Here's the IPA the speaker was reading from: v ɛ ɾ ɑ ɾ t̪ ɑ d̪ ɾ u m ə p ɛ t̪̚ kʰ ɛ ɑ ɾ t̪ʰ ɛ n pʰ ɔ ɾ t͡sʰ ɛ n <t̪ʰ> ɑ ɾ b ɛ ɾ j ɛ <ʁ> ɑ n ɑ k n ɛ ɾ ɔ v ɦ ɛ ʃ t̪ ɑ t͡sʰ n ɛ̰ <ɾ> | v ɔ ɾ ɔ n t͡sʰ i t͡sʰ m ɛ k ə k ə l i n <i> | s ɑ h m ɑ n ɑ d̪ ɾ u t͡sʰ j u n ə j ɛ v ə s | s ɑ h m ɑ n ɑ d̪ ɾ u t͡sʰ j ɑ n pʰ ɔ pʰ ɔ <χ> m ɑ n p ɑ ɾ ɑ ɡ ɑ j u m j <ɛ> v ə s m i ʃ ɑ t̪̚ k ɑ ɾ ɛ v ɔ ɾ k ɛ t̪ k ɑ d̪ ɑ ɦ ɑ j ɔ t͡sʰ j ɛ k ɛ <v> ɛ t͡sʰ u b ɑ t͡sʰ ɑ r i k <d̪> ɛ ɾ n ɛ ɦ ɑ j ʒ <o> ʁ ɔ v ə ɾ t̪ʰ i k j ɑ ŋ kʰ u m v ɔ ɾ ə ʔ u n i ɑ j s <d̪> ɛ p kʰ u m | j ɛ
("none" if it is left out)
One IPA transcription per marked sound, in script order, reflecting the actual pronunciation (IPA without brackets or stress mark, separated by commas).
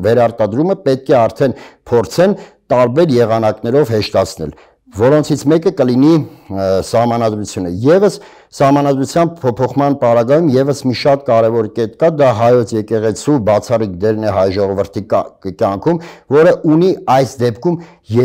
t̪, ʁ, l, i, χ, ɛ, ʁ, d̪, ɔ, d̪